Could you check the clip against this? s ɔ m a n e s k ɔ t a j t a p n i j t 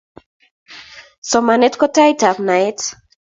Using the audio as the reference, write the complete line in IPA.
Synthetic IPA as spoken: s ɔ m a n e t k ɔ t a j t a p n a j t